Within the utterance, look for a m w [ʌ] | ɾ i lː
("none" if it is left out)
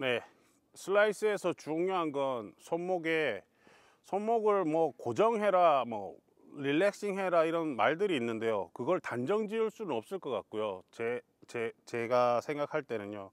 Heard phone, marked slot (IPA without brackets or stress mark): ʌ